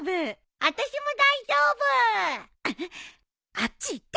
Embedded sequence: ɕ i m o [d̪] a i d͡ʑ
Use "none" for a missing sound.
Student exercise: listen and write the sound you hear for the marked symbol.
d̪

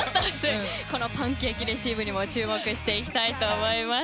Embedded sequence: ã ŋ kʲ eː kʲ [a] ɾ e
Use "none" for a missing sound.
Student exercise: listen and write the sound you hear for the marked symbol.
i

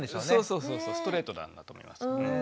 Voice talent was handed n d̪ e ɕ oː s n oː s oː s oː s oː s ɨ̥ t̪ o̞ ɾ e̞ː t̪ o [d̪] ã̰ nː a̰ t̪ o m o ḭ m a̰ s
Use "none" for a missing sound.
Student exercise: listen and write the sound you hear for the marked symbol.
d̪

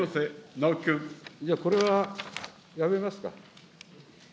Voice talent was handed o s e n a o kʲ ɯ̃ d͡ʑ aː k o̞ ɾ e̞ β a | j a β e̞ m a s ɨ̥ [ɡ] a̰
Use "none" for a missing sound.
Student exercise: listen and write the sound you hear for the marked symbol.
k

